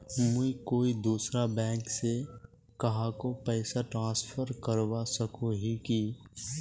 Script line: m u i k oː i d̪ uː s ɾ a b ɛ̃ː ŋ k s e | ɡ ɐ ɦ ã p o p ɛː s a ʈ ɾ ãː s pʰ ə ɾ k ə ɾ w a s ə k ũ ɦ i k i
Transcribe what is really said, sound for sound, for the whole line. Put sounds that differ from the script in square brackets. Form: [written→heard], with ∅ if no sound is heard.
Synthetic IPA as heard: m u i k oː i d̪ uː s ɾ a b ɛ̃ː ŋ k s e | [ɡ→k] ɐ ɦ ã [p→k] o p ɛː s a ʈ ɾ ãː s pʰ ə ɾ k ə ɾ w a s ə k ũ ɦ i k i